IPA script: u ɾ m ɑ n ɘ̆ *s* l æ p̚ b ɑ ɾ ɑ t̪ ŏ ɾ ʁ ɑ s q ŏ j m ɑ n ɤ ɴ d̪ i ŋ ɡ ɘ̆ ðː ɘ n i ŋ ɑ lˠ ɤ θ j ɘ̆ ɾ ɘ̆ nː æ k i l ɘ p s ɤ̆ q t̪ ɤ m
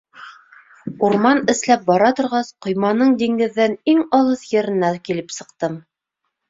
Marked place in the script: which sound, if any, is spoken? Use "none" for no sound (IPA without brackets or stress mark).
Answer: s